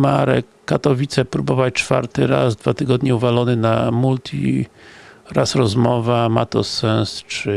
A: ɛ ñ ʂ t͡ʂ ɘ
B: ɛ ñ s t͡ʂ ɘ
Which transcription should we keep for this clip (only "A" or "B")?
B